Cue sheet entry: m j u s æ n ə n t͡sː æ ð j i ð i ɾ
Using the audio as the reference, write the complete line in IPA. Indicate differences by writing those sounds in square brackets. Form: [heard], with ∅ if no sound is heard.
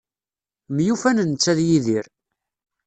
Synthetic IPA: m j u [f] æ n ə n t͡sː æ ð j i ð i ɾ